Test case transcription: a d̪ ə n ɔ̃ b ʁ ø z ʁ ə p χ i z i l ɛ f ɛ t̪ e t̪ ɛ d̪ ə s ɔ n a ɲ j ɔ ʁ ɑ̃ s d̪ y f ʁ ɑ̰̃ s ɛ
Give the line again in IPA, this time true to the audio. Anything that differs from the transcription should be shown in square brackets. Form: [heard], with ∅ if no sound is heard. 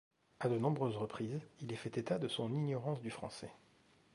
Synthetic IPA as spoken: a d̪ ə n ɔ̃ b ʁ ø z ʁ ə p χ i z i l ɛ f ɛ t̪ e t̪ [a] d̪ ə s [ɔ̃] n [i] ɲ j ɔ ʁ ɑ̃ s d̪ y f [χ] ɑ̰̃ s ɛ